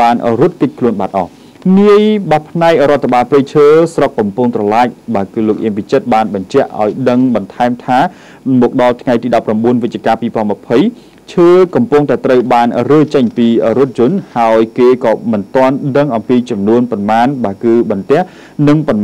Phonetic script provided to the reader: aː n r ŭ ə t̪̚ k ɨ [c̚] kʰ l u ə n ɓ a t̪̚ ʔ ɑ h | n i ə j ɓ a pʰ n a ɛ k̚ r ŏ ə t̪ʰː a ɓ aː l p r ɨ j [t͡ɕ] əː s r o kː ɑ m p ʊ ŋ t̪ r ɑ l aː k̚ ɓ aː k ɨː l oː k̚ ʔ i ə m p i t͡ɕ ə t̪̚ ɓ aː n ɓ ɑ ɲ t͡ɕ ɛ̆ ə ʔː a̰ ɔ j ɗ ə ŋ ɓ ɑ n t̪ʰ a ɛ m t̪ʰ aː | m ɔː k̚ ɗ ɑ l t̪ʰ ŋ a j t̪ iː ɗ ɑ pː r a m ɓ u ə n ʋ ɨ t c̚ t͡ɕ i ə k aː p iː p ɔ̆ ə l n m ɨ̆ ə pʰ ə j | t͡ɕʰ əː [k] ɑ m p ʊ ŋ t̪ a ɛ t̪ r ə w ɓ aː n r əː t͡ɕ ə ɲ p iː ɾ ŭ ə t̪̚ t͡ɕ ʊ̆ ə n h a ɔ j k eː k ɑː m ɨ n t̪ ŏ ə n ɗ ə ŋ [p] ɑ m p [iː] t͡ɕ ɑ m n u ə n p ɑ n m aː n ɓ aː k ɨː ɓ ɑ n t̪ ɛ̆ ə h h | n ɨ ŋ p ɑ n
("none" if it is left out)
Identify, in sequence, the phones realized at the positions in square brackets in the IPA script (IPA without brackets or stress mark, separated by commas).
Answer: c̚, t͡ɕʰ, k, ʔ, iː